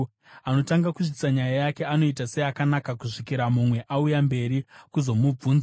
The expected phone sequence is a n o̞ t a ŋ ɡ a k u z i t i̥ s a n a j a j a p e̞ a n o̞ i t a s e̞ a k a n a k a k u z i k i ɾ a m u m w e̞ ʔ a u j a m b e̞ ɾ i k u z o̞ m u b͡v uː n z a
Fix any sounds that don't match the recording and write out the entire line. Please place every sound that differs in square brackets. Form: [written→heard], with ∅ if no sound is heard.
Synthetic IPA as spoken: a n o̞ t a ŋ ɡ a k u [z→ʐ] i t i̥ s a [n→ɲ] a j a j a [p→k] e̞ a n o̞ i t a s e̞ a k a n a k a k u [z→ʐ] i k i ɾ a m u m w e̞ ʔ a u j a m b e̞ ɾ i k u z o̞ m u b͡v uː n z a